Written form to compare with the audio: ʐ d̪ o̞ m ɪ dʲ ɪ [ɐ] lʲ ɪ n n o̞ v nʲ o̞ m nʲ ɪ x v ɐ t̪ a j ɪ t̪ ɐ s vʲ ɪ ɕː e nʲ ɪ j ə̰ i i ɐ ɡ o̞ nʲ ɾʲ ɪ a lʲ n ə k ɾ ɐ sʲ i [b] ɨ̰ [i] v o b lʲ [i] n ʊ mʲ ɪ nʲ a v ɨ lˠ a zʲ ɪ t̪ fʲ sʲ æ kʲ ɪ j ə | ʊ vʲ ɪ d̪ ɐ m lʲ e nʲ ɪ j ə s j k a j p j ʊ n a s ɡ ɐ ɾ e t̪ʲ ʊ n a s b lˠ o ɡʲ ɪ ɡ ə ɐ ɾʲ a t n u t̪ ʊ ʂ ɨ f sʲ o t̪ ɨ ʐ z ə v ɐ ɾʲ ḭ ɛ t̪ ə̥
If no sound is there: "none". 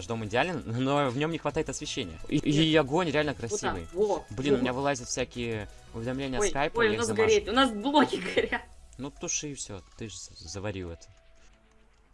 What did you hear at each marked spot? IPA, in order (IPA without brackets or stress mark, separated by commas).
a, v, j, i